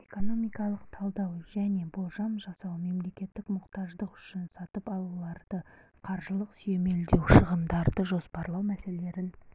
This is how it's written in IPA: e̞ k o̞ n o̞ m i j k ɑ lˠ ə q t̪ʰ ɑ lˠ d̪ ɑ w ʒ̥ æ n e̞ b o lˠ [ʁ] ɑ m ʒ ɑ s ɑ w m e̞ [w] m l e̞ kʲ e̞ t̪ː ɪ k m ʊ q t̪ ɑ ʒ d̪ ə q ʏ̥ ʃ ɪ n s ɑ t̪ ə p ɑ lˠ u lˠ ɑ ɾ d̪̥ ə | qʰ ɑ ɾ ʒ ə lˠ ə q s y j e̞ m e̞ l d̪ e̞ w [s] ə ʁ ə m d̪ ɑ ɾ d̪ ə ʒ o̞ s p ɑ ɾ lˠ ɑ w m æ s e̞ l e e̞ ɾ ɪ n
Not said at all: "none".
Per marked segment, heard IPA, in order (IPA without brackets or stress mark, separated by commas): ʒ, none, ʃ